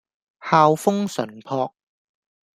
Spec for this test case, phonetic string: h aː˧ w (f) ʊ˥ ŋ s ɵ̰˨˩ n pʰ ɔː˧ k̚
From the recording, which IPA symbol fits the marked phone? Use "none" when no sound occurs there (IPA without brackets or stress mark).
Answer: f